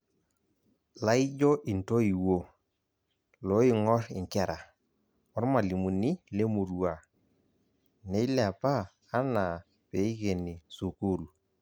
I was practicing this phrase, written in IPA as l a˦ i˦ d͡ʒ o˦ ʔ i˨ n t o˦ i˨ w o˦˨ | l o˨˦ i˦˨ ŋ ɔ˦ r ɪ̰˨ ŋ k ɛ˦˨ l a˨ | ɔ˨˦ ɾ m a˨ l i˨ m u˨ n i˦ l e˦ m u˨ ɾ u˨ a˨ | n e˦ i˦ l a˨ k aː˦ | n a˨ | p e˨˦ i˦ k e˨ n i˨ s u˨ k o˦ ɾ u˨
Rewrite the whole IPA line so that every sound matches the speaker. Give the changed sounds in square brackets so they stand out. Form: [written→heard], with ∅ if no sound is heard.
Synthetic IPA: l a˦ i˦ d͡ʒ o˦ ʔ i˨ n t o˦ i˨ w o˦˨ | l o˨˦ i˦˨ ŋ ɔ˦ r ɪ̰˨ ŋ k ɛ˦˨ [l→ɾ] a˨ | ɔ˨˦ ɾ m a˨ l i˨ m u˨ n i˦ l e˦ m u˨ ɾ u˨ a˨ | n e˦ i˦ l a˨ [k→p] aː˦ | n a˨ | p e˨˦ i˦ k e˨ n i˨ s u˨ k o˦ ɾ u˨